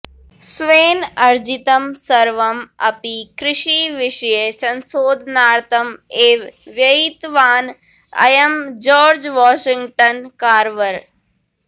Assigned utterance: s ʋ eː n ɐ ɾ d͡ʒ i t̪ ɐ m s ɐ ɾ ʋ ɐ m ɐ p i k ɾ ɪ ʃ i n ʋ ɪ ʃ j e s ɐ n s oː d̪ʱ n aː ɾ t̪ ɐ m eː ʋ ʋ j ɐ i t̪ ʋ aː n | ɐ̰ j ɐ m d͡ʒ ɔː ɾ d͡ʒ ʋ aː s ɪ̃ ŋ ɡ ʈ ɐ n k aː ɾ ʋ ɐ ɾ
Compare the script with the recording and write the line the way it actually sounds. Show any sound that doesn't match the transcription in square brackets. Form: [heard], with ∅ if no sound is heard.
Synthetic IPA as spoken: s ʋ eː n ɐ ɾ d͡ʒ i t̪ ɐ m s ɐ ɾ ʋ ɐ m ɐ p i k ɾ ɪ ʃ i [∅] ʋ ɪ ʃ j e s ɐ n s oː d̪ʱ n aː ɾ t̪ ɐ m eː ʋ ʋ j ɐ i t̪ ʋ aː n | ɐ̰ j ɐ m d͡ʒ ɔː ɾ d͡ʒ ʋ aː [ʃ] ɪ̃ ŋ ɡ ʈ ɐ n k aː ɾ ʋ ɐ ɾ